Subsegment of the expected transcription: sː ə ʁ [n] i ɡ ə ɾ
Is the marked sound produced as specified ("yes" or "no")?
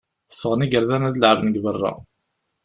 yes